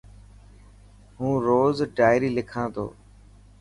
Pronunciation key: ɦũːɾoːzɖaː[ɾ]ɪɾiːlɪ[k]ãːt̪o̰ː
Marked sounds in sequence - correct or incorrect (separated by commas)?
incorrect, incorrect